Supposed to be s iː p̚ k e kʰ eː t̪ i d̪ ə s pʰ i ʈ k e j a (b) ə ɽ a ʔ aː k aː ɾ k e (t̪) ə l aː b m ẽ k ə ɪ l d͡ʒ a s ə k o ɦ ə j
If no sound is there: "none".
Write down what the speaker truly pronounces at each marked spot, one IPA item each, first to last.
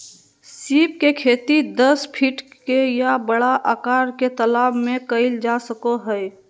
b, t̪

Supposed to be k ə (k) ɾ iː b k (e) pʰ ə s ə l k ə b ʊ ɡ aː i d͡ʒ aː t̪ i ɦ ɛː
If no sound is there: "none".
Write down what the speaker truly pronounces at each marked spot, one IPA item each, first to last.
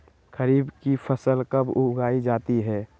none, i

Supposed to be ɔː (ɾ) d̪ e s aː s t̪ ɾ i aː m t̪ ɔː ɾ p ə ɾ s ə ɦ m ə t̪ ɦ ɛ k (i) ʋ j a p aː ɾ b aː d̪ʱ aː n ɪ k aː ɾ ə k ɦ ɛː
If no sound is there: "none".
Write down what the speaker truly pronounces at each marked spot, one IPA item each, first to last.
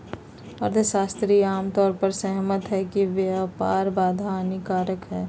ɾ, i

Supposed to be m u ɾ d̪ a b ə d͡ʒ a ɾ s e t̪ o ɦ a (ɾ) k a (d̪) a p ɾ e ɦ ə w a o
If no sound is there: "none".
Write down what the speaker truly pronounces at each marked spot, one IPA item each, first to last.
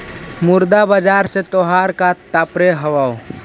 ɾ, t̪

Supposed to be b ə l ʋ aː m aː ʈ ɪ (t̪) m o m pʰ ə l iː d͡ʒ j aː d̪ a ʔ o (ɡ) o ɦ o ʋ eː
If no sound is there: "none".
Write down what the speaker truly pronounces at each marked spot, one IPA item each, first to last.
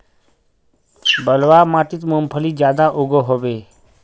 t̪, ɡ

